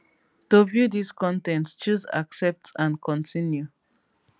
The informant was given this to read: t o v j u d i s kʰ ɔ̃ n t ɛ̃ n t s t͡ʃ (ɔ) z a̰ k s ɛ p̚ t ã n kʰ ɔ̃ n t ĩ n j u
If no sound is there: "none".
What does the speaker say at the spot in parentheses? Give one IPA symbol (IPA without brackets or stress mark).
u